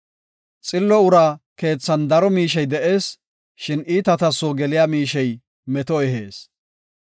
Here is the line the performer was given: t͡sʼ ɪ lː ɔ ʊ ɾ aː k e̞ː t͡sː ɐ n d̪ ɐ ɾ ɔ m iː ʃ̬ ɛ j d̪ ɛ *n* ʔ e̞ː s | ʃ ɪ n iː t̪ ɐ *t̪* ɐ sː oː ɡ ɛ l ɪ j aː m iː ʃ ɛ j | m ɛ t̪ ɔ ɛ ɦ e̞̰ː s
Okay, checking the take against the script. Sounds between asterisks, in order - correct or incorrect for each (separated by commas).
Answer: incorrect, correct